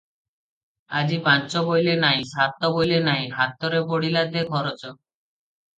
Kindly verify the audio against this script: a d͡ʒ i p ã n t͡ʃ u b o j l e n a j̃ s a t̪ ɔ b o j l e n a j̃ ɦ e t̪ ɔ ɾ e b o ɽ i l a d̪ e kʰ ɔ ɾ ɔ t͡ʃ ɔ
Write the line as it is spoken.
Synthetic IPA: a d͡ʒ i p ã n t͡ʃ ɔ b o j l e n a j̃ s a t̪ ɔ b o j l e n a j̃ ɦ a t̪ ɔ ɾ e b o ɽ i l a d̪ e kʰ ɔ ɾ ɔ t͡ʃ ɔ